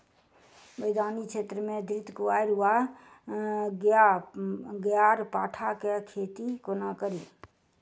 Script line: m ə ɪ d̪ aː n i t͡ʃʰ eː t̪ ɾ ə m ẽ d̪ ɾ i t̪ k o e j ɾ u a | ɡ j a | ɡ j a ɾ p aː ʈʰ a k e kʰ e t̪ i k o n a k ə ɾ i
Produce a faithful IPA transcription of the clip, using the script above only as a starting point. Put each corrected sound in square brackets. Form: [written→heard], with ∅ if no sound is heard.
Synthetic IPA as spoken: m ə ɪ d̪ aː n i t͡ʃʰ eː t̪ ɾ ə m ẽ d̪ ɾ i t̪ k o [e→a] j ɾ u a | ɡ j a | ɡ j a ɾ p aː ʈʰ a k e kʰ e t̪ i k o n a k ə ɾ i